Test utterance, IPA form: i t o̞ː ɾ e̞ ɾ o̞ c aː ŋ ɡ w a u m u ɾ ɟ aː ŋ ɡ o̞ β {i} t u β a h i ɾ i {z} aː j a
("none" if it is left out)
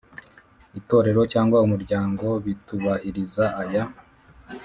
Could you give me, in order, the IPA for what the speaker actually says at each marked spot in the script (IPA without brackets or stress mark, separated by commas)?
i, z